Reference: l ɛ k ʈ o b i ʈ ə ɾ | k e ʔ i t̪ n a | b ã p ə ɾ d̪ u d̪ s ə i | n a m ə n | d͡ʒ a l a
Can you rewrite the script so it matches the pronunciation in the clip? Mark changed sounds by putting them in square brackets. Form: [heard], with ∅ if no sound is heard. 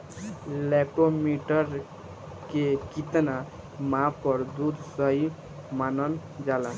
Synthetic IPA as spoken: l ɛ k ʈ o [m] i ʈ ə ɾ | k e [k] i t̪ n a | [m] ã p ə ɾ d̪ u d̪ s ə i | [m] a [n] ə n | d͡ʒ a l a